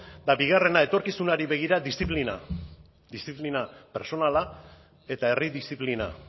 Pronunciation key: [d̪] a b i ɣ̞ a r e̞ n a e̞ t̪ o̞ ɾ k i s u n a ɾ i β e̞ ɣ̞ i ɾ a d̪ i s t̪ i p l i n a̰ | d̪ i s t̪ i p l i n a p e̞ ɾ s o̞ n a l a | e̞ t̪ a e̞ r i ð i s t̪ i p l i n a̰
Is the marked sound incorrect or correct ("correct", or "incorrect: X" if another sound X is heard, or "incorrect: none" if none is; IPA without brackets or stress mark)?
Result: correct